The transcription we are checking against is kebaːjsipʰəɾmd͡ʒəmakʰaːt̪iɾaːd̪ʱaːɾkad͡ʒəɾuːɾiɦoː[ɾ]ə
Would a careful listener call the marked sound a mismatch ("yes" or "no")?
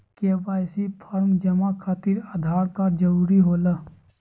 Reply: yes